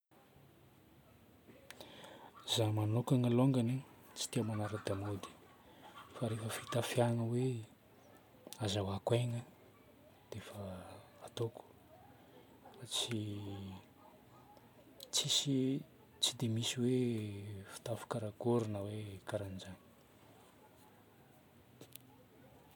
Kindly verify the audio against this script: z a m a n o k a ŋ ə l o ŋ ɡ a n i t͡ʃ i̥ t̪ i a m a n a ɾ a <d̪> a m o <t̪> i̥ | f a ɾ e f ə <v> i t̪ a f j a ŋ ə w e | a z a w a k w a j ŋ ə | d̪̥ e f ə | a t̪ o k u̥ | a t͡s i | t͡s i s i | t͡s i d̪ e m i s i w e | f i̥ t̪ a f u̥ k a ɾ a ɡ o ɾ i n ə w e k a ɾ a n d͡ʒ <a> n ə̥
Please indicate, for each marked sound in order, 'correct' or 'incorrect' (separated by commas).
correct, incorrect, incorrect, correct